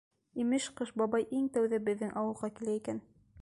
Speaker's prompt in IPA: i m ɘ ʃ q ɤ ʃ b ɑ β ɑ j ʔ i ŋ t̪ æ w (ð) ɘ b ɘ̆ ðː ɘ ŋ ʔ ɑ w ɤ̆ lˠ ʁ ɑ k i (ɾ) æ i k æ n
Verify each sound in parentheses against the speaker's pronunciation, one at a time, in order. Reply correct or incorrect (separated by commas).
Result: correct, incorrect